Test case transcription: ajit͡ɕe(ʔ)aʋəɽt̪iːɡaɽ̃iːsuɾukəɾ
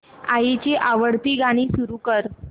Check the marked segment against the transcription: correct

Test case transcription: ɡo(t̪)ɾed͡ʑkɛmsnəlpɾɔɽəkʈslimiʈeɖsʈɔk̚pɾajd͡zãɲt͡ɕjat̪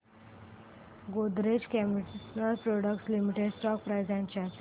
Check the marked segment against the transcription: incorrect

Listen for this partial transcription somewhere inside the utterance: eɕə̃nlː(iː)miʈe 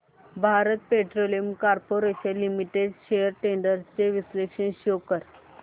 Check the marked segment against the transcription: incorrect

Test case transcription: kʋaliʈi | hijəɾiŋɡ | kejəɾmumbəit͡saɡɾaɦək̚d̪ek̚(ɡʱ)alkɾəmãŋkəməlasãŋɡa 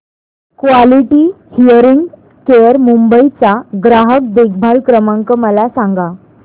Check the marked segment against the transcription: incorrect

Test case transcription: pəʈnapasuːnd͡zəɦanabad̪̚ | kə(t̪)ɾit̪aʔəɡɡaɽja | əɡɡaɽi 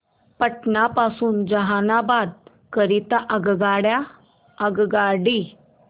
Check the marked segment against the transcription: incorrect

